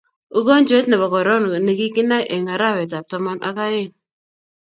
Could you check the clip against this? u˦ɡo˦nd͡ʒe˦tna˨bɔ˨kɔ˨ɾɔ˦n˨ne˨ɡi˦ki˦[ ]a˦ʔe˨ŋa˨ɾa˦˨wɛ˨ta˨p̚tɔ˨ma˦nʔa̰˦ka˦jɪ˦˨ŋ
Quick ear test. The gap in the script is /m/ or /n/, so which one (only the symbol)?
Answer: n